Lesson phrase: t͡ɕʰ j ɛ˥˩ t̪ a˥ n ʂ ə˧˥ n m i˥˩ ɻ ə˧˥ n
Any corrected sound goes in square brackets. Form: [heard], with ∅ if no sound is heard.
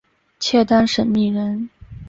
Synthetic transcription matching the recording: t͡ɕʰ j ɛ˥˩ t̪ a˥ n ʂ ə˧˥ n m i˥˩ ɻ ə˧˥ n